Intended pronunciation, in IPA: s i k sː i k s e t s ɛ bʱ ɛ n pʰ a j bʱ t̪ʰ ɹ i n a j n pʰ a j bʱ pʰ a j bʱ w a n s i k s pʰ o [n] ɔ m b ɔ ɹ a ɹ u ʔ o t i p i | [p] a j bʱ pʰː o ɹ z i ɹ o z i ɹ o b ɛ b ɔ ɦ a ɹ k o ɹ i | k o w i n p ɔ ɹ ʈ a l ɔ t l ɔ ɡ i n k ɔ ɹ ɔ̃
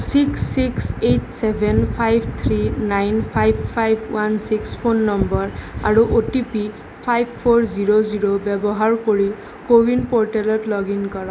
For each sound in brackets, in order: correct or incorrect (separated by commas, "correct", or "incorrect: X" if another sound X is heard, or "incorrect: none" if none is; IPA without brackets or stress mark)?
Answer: incorrect: nː, incorrect: pʰ